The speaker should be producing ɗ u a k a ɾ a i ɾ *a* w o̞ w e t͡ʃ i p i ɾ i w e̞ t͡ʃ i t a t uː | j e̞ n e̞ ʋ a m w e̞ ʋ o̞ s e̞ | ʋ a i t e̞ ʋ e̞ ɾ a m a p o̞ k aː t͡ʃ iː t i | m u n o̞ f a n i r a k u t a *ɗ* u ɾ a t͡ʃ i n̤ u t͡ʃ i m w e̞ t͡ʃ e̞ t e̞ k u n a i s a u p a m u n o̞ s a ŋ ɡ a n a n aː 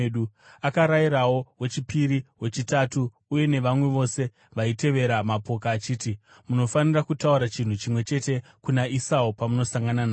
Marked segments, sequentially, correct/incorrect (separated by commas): correct, incorrect